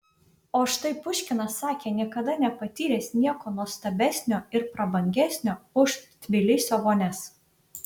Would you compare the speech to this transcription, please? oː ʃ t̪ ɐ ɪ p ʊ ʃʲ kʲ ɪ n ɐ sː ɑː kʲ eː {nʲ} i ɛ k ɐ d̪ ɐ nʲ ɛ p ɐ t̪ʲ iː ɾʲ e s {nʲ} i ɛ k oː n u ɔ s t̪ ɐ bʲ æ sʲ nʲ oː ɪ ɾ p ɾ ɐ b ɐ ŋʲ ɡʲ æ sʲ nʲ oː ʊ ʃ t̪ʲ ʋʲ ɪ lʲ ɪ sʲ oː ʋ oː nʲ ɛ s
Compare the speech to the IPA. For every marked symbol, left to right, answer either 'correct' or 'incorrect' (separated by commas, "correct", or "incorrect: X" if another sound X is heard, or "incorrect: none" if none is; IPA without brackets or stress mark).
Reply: correct, correct